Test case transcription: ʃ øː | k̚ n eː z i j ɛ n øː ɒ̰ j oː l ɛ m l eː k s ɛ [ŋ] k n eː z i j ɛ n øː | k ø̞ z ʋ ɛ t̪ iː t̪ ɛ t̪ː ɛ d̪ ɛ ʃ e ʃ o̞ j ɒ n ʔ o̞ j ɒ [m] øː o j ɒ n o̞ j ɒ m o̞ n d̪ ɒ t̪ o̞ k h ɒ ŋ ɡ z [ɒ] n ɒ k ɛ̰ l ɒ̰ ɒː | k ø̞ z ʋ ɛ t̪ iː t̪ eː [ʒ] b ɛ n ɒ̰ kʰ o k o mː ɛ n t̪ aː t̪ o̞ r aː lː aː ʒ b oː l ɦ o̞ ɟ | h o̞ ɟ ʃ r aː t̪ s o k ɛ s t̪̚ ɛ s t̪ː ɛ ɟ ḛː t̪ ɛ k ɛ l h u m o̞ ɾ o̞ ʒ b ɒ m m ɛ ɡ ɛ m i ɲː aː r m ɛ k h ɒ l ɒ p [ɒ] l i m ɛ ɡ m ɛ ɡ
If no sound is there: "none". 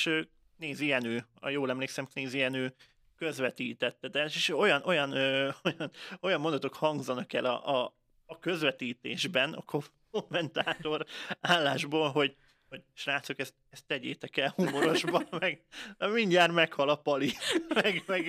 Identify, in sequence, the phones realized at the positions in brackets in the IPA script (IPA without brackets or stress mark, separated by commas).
m, n, ɒ, ʒ, ɒ